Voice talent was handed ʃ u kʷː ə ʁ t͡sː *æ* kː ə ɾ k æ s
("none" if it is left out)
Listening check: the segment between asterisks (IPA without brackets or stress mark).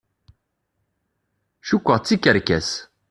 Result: i